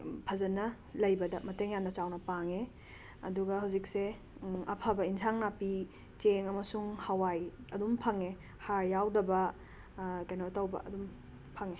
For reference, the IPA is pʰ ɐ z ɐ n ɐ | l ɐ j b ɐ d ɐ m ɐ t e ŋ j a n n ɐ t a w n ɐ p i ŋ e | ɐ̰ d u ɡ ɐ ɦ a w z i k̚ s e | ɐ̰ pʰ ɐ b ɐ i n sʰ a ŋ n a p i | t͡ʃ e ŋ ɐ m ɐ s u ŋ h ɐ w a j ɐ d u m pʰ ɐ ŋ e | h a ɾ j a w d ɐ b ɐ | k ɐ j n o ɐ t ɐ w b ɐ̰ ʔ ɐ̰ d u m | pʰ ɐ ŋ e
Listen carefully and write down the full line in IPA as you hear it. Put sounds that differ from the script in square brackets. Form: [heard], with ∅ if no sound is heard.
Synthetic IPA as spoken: pʰ ɐ z ɐ n ɐ | l ɐ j b ɐ d ɐ m ɐ t e ŋ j a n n ɐ [t͡ʃ] a w n ɐ p [a] ŋ e | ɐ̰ d u ɡ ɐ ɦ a w z i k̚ s e | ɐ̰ pʰ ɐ b ɐ i n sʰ a ŋ n a p i | t͡ʃ e ŋ ɐ m ɐ s u ŋ h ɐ w a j ɐ d u m pʰ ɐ ŋ e | h a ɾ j a w d ɐ b ɐ | k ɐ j n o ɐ t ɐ w b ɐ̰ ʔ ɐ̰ d u m | pʰ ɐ ŋ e

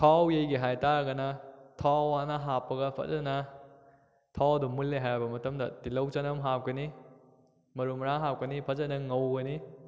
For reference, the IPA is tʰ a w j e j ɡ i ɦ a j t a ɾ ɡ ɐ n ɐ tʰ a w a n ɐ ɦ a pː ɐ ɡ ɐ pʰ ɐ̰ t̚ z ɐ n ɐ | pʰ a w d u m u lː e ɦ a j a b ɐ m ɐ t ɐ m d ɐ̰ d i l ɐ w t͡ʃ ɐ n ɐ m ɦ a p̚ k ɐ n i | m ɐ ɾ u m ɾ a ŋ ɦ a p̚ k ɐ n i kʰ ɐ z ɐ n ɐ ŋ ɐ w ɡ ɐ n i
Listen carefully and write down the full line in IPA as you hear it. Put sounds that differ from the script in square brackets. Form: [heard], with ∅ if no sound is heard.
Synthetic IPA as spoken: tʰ a w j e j ɡ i ɦ a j t a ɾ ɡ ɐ n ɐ tʰ a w a n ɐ ɦ a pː ɐ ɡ ɐ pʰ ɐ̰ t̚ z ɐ n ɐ | [tʰ] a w d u m u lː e ɦ a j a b ɐ m ɐ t ɐ m d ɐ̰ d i l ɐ w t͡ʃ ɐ n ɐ m ɦ a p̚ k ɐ n i | m ɐ ɾ u m ɾ a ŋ ɦ a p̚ k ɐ n i [pʰ] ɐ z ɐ n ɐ ŋ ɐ w ɡ ɐ n i

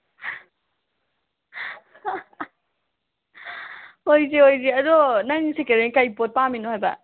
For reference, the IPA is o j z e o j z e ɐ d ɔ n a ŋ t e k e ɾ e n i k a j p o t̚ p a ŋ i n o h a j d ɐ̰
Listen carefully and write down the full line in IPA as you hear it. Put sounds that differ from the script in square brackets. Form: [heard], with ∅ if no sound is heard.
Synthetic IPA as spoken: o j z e o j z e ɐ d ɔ n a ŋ [s] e k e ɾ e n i k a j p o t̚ p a [m] i n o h a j [b] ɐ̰

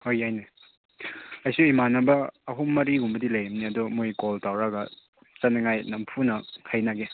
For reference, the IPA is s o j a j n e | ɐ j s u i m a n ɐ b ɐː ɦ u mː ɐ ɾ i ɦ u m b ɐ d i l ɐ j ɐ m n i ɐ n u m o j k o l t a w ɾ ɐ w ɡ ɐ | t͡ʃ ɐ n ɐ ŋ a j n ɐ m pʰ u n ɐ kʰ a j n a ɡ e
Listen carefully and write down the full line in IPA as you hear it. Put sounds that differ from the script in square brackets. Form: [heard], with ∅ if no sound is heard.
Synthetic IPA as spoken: [h] o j a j n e | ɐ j s u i m a n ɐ b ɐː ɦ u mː ɐ ɾ i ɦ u m b ɐ d i l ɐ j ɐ m n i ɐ [d] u m o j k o l t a w ɾ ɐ [∅] ɡ ɐ | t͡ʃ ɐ n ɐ ŋ a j n ɐ m pʰ u n ɐ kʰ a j n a ɡ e

